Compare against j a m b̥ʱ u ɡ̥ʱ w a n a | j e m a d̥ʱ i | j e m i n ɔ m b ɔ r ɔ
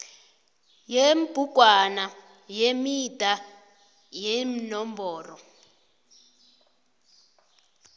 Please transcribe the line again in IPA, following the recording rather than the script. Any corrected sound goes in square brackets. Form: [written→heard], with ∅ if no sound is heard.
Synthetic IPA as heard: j [a→e] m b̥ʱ u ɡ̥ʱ w a n a | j e m [a→i] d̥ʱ [i→a] | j e m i n ɔ m b [ɔ→ɔː] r ɔ